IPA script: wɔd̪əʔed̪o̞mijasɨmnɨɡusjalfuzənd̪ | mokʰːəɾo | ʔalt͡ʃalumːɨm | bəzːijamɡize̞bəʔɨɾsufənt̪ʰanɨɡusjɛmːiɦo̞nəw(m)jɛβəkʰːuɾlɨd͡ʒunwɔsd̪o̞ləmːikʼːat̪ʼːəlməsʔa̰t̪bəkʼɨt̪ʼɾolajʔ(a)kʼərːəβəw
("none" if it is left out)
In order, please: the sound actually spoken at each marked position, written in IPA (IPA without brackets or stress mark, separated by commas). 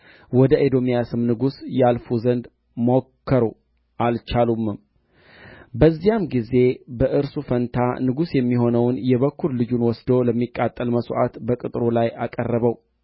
n, a